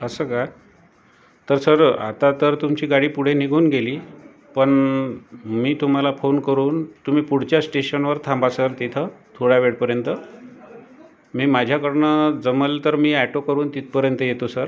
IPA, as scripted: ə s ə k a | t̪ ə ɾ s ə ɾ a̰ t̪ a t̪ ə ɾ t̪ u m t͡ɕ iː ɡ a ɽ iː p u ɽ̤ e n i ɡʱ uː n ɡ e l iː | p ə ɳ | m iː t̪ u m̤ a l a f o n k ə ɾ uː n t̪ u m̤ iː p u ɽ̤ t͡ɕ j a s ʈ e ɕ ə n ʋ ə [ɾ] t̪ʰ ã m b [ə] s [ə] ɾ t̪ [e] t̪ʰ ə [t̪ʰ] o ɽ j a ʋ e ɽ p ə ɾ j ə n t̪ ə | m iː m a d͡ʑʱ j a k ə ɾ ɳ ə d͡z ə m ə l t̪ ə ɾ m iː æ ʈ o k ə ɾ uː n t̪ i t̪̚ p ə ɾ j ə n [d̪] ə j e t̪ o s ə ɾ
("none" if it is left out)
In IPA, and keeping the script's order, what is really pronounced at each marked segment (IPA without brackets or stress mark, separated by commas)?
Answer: ɾ, a, ə, i, t̪ʰ, t̪